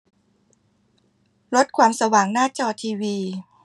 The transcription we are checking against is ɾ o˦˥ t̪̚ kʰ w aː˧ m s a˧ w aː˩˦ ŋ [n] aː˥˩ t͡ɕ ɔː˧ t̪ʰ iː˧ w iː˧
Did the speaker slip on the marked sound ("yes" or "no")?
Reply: no